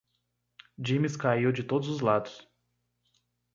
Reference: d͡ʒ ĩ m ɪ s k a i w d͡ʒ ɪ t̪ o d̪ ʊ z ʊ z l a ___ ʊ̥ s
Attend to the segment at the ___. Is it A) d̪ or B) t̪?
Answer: A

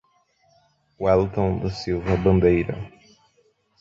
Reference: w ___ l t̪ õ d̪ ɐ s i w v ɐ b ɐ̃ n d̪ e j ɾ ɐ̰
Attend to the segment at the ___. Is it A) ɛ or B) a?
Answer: A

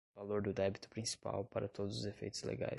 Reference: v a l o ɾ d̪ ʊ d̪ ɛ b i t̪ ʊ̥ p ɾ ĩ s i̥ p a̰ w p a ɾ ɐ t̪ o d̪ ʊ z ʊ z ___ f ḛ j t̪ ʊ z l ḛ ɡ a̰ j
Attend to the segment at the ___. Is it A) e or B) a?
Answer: A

